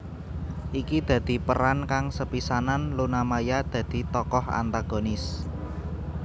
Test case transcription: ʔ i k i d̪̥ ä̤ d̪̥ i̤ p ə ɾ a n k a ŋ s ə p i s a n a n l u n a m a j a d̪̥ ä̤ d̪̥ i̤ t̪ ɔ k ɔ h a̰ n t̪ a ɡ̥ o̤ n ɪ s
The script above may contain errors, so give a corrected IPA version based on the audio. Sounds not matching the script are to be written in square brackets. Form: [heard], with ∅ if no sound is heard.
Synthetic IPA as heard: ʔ i k i d̪̥ ä̤ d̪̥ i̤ p ə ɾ a n k a ŋ s ə p i s a n a n l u n a m a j a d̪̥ ä̤ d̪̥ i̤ t̪ ɔ k ɔ h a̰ n t̪ a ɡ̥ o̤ n ɪ s